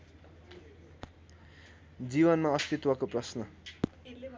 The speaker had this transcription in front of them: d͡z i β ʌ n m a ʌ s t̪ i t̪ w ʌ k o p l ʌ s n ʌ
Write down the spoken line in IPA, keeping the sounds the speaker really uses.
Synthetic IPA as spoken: d͡z i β ʌ n m a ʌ s t̪ i t̪ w ʌ k o p r ʌ s n ʌ